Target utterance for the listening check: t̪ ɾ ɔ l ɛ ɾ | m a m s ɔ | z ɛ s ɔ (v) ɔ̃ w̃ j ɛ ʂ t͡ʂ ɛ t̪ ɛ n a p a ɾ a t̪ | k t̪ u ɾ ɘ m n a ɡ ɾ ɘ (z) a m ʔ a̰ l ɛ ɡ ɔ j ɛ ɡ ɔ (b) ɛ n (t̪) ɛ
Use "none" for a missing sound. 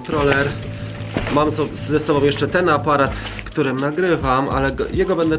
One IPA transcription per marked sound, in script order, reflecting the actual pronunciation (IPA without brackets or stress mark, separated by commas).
b, v, b, d̪